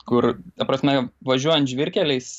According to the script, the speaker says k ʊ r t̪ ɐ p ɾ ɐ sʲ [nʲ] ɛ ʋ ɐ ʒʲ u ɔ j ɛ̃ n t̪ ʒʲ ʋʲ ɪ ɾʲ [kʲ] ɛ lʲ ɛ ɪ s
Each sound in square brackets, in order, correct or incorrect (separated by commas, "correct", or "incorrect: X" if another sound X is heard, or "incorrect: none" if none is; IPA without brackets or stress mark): incorrect: mʲ, correct